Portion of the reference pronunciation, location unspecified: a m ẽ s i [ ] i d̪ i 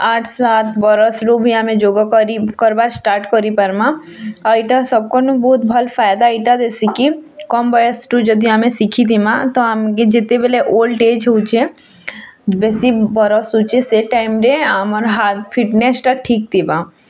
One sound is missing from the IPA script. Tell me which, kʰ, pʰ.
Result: kʰ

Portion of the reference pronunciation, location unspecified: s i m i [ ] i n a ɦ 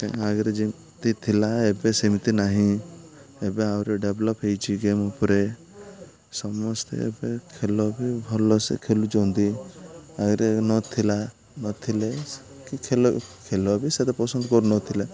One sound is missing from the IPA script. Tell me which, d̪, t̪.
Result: t̪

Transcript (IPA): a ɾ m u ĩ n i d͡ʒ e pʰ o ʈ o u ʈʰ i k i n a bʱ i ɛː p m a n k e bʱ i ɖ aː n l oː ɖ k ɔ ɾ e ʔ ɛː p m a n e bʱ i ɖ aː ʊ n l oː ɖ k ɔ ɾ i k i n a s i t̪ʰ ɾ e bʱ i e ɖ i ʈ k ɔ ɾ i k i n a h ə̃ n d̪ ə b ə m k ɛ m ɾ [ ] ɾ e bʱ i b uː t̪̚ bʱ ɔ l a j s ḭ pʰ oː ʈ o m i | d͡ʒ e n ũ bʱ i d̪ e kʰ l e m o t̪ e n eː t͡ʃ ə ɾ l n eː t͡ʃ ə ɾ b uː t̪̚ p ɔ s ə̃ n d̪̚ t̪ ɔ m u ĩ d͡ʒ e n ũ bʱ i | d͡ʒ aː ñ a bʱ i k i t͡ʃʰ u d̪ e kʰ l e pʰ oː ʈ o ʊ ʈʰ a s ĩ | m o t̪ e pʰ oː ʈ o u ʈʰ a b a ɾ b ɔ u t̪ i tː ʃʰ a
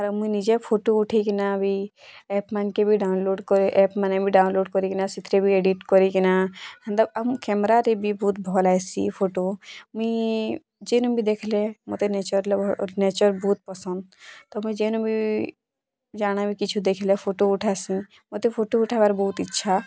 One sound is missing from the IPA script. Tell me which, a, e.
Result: a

